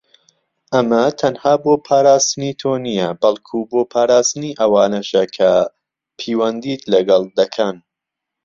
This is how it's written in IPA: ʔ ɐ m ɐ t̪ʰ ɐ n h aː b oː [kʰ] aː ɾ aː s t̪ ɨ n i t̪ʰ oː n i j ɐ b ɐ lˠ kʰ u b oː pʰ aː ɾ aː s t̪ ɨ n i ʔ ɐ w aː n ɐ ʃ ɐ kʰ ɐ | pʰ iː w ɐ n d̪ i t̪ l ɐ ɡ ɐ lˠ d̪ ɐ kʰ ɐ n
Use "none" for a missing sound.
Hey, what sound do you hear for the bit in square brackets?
pʰ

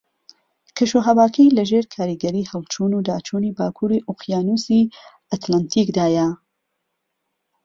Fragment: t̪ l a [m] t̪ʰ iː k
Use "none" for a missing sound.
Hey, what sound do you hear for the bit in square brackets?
n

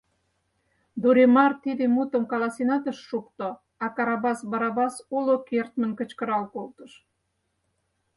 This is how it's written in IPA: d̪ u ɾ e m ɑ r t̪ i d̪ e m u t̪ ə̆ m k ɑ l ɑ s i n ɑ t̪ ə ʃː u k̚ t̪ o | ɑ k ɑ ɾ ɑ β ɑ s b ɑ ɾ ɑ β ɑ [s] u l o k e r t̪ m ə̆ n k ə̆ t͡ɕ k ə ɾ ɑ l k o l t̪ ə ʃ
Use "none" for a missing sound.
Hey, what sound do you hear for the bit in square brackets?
s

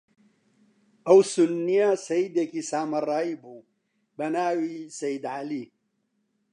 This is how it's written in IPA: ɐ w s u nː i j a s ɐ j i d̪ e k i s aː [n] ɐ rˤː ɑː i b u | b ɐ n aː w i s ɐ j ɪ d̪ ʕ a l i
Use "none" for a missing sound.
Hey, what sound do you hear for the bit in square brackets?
m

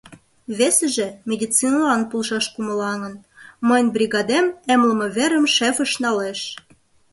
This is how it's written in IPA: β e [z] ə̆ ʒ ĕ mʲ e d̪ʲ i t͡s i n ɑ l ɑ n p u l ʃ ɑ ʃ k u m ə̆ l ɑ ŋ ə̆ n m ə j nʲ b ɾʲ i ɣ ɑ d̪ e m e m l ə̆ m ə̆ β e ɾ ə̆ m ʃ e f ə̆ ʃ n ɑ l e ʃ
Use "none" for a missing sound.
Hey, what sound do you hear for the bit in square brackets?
s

